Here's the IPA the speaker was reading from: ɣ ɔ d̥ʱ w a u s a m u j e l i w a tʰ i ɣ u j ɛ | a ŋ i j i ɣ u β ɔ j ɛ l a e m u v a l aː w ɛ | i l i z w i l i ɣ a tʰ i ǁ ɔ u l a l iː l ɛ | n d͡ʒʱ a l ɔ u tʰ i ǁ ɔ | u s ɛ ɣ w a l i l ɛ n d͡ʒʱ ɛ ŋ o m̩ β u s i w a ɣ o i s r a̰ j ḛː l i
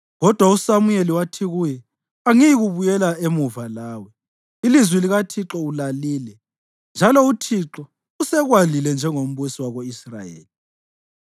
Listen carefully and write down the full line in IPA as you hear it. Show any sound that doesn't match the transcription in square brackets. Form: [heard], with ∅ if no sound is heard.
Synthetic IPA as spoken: ɣ ɔ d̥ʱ w a u s a m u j e l i w a tʰ i ɣ u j ɛ | a ŋ i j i ɣ u β [u] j ɛ l a e m u v a l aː w ɛ | i l i z w i l i ɣ a tʰ i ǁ ɔ u l a l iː l ɛ | n d͡ʒʱ a l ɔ u tʰ i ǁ ɔ | u s ɛ ɣ w a l i l ɛ n d͡ʒʱ ɛ ŋ o m̩ β u s i w a ɣ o i s r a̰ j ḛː l i